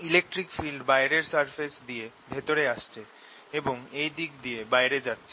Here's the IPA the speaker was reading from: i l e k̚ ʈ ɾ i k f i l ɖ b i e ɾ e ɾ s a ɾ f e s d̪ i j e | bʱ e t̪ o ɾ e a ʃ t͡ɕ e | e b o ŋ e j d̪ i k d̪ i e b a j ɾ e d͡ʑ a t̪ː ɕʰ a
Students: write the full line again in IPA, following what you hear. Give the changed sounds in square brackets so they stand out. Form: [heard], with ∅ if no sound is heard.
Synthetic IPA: i l e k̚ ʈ ɾ i k f i l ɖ b [a] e ɾ e ɾ s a ɾ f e s d̪ i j e | bʱ e t̪ o ɾ e a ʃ [t͡ɕʰ] e | e b o ŋ e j d̪ i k d̪ i e b a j ɾ e d͡ʑ a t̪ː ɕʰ [e]

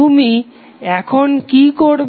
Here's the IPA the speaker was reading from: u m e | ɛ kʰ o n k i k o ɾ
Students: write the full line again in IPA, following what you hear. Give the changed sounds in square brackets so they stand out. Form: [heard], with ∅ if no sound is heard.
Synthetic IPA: u m [i] | ɛ kʰ o n k i k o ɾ

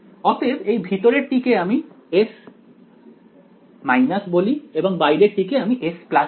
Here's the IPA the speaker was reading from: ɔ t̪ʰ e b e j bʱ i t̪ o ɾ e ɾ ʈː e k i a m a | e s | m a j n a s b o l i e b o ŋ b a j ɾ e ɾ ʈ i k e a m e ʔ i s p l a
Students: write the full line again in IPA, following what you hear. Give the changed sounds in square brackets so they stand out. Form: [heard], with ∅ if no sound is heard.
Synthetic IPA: ɔ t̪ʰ e b e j bʱ i t̪ o ɾ e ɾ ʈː [i] k [e] a m [i] | e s | m a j n a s b o l i e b o ŋ b a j ɾ e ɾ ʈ i k e a m [i] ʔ [e] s p l a

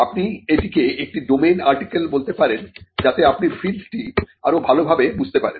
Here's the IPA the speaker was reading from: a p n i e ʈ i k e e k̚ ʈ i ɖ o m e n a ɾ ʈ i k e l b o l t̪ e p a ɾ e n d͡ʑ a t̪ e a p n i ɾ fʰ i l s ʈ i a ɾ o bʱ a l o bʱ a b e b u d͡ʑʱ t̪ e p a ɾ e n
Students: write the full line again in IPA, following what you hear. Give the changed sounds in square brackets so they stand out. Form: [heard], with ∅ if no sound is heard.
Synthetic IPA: a p n i e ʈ i k e e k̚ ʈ i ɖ o m e n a ɾ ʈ i k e l b o l t̪ e p a ɾ e n d͡ʑ a t̪ e a p n i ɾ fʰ i l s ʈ i a ɾ o bʱ a l o bʱ a b e b u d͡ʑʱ t̪ e p a ɾ e n

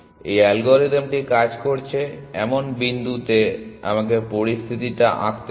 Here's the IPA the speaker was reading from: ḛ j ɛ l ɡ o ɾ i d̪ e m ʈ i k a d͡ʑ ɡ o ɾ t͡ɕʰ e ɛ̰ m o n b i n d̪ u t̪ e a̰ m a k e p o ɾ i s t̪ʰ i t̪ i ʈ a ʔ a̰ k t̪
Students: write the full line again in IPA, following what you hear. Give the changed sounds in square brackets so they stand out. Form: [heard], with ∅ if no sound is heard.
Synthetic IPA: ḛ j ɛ l ɡ o ɾ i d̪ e m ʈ i k a d͡ʑ [k] o ɾ t͡ɕʰ e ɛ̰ m o n b i n d̪ u t̪ e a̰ m a k e p o ɾ i s t̪ʰ i t̪ i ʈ a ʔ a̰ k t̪

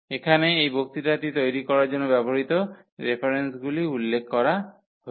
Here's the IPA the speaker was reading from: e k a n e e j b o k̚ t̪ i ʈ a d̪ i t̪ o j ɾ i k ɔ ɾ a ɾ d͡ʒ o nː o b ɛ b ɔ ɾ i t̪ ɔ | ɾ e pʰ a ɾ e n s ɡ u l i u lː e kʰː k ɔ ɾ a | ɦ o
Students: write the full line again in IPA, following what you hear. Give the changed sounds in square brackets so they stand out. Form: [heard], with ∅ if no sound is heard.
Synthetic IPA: e [kʰ] a n e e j b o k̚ t̪ i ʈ a [t̪] i t̪ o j ɾ i k ɔ ɾ a ɾ d͡ʒ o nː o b ɛ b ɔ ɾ i t̪ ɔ | ɾ e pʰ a ɾ e n s ɡ u l i u lː e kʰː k ɔ ɾ a | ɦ o

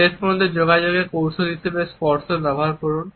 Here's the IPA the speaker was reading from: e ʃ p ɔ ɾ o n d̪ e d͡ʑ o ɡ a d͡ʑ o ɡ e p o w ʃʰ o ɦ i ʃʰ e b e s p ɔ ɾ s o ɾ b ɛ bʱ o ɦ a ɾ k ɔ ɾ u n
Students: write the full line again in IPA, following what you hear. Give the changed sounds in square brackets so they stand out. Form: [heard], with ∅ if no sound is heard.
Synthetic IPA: e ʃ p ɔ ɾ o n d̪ e d͡ʑ o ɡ a d͡ʑ o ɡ e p o w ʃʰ o ɦ i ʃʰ e b e s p ɔ ɾ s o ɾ b ɛ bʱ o ɦ a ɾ k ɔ ɾ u n

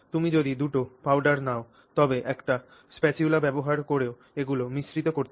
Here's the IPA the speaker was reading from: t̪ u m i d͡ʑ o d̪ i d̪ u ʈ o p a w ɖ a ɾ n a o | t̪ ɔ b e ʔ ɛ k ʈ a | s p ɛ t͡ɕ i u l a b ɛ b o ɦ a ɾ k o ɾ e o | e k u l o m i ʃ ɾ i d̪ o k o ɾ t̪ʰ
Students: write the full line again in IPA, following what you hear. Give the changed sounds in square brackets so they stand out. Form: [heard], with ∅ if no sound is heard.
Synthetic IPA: t̪ u m i d͡ʑ o d̪ i d̪ u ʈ o p a w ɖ a ɾ n a o | t̪ ɔ b e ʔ ɛ k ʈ a | s p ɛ t͡ɕ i u l a b ɛ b o ɦ a ɾ k o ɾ e o | e [ɡ] u l o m i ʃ ɾ i [t̪] o k o ɾ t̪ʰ

